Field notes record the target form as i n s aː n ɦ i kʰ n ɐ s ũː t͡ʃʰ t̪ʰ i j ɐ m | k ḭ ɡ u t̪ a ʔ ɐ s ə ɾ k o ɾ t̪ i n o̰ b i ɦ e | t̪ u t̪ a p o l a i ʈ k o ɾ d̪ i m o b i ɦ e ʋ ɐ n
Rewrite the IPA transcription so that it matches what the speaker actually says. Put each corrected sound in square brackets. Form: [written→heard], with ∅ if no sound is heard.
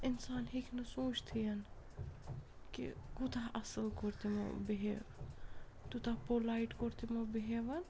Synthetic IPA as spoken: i n s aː n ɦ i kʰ n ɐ s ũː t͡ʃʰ t̪ʰ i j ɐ [m→n] | k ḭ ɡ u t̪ a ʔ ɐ s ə [ɾ→l] k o ɾ t̪ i [n→m] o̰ b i ɦ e | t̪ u t̪ a p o l a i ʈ k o ɾ [d̪→t̪] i m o b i ɦ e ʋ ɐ n